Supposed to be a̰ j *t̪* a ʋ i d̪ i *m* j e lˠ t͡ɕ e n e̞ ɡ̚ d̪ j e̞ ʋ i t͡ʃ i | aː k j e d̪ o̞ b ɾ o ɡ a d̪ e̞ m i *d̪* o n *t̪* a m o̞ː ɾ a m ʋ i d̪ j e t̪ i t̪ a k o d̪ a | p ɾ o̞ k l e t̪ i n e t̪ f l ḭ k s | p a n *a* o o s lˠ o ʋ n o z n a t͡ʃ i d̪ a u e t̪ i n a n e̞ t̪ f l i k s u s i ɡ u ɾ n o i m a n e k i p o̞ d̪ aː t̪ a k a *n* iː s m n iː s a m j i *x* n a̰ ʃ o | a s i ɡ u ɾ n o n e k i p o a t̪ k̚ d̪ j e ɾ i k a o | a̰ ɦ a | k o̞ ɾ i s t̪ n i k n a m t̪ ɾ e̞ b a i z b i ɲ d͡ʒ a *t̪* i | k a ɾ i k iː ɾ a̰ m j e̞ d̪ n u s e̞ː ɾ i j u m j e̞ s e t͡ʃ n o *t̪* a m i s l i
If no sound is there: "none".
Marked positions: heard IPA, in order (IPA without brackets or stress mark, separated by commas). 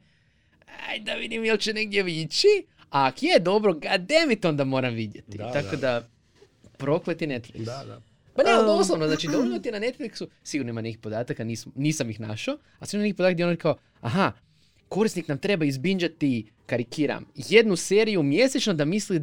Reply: d̪, m, t̪, d̪, e, n, x, t̪, d̪